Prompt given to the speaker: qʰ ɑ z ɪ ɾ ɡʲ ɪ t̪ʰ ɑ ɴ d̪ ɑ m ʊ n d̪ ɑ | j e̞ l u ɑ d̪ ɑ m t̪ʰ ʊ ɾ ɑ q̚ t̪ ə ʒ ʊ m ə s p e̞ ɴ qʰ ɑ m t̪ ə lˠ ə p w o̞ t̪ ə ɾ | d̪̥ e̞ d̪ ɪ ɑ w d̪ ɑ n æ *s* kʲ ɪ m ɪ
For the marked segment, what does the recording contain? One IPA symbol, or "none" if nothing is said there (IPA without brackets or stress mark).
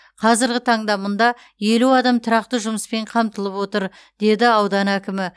none